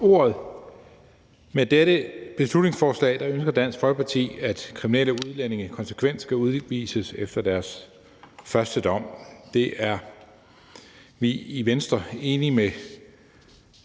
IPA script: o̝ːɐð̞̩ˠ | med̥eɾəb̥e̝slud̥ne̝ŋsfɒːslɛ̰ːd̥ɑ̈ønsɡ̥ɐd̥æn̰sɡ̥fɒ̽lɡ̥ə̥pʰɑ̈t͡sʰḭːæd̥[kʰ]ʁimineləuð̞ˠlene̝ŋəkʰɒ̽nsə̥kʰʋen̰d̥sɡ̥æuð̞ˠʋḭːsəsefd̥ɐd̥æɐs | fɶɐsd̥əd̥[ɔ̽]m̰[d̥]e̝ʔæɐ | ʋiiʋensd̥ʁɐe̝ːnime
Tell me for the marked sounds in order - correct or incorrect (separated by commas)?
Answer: correct, incorrect, correct